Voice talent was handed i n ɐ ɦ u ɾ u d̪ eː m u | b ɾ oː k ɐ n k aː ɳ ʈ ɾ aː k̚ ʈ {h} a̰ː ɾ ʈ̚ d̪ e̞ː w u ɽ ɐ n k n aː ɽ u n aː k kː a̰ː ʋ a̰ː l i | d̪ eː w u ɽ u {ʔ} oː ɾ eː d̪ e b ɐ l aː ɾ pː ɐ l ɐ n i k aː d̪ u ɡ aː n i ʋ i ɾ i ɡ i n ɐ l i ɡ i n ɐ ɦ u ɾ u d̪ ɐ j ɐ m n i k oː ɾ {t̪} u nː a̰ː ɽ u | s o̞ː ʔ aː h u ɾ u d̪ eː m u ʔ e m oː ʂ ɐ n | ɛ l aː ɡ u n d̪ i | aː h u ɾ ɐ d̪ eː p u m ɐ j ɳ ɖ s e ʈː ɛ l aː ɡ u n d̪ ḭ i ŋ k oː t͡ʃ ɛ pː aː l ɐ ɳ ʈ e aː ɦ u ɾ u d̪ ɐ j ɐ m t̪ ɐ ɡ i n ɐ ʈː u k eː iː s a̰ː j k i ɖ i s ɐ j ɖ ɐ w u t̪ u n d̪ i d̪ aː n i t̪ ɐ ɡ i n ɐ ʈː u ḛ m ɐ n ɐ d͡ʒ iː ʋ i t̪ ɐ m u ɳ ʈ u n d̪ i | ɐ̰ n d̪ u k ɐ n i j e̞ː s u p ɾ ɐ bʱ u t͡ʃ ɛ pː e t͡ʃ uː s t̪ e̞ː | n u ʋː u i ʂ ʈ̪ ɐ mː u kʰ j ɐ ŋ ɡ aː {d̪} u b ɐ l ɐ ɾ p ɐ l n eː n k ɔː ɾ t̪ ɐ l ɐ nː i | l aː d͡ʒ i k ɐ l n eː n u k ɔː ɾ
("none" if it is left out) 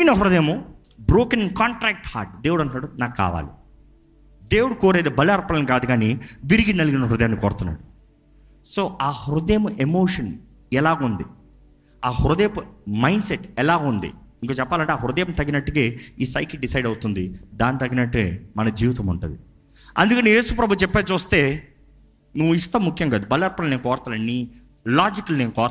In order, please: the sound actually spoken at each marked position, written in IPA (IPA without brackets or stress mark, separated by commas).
h, k, t̪, d̪